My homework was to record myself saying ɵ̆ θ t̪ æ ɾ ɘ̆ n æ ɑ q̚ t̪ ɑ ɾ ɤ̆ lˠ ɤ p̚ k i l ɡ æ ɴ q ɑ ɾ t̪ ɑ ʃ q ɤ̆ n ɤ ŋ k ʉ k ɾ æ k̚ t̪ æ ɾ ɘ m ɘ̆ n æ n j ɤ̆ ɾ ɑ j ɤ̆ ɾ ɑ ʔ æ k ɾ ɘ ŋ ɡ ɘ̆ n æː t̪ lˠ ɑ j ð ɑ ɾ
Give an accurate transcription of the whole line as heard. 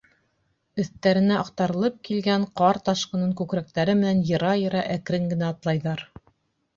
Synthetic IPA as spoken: ɵ̆ θ t̪ æ ɾ ɘ̆ n æ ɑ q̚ t̪ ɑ ɾ ɤ̆ lˠ ɤ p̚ k i l ɡ æ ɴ q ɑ ɾ t̪ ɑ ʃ q ɤ̆ n ɤ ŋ k ʉ k ɾ æ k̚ t̪ æ ɾ ɘ m ɘ̆ n æ n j ɤ̆ ɾ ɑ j ɤ̆ ɾ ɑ ʔ æ k ɾ ɘ ŋ ɡ ɘ̆ n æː t̪ lˠ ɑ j ð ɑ ɾ